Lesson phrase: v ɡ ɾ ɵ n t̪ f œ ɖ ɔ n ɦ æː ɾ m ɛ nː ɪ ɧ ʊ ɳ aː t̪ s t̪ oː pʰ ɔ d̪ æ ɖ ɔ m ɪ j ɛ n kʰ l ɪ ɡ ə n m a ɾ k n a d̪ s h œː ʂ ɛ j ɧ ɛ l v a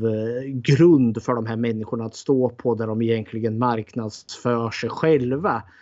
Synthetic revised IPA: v ɡ ɾ ɵ n d̪ f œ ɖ ɔ m ɦ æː ɾ m ɛ nː ɪ ɧ ʊ ɳ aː t̪ s t̪ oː pʰ ɔ d̪ æ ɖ ɔ m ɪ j ɛ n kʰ l ɪ ɡ ə n m a ɾ k n a d̪ s f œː ʂ ɛ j ɧ ɛ l v a